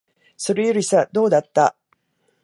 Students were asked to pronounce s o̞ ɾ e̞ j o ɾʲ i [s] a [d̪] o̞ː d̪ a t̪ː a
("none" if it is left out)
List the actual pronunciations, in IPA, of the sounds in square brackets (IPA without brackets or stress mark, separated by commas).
s, d̪